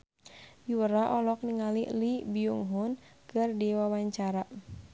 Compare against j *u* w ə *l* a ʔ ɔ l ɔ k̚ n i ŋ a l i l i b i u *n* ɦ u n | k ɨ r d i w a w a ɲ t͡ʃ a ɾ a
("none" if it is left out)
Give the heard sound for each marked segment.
u, ɾ, ŋ

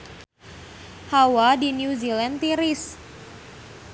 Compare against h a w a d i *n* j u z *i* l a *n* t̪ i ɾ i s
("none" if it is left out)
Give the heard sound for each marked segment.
n, i, n

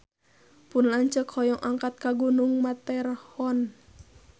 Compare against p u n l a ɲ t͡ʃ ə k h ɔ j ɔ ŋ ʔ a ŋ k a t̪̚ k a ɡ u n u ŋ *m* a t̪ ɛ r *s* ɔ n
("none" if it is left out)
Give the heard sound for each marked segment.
m, h

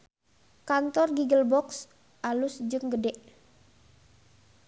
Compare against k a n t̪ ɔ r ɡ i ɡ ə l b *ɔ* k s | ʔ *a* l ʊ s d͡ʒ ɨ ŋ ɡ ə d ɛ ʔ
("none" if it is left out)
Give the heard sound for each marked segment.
ɔ, a

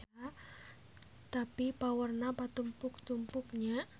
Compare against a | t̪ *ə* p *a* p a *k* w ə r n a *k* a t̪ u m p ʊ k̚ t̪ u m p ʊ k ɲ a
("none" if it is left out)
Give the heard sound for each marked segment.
a, i, none, p

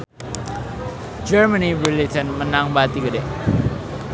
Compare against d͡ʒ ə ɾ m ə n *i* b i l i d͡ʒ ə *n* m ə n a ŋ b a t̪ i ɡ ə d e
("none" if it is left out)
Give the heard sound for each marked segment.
i, n

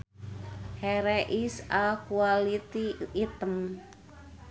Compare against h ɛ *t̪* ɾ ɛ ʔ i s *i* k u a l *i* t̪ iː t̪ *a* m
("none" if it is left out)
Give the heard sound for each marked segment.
none, a, i, ə

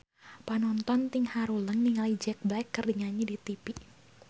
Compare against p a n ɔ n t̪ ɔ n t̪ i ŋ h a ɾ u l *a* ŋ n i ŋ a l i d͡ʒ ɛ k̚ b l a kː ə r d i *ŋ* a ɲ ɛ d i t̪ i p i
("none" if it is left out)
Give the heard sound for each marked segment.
ə, ŋ

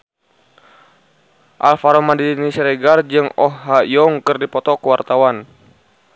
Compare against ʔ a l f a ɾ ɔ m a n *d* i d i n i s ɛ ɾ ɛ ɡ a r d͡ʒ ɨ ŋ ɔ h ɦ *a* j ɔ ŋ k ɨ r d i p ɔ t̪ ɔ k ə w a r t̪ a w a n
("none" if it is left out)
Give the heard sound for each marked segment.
d, a

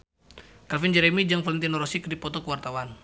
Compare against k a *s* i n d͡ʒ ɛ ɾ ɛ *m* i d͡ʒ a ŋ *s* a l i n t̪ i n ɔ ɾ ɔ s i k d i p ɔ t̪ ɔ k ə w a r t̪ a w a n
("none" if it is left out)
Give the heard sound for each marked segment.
f, m, f

